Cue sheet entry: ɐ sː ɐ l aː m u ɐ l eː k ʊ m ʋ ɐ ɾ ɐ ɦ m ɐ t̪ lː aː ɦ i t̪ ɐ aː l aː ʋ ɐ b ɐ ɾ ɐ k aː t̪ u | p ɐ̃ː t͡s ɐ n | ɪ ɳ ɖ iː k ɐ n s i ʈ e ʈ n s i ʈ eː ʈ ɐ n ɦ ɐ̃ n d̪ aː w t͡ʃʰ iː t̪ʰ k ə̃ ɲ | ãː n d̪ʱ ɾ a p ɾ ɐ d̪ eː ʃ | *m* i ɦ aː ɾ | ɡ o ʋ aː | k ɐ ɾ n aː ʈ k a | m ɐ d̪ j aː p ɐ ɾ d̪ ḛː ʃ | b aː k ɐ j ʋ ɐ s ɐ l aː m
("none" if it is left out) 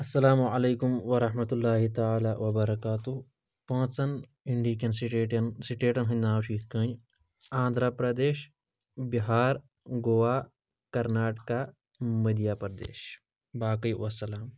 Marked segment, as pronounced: b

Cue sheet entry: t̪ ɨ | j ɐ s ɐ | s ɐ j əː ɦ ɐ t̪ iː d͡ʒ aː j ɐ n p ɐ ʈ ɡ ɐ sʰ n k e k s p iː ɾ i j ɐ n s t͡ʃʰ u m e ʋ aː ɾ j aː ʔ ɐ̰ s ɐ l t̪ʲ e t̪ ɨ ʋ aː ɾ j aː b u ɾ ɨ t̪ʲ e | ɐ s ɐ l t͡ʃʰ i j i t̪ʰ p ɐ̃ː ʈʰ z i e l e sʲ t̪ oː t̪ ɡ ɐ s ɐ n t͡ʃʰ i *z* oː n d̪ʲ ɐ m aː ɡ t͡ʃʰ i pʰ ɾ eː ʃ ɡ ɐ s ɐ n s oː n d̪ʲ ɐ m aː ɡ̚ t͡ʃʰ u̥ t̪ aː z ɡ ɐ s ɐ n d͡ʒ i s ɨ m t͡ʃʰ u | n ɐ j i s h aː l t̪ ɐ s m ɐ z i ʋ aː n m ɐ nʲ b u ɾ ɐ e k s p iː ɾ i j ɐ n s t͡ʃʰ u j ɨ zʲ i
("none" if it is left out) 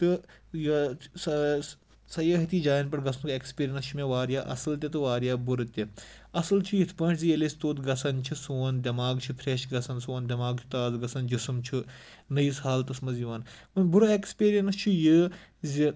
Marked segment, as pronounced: s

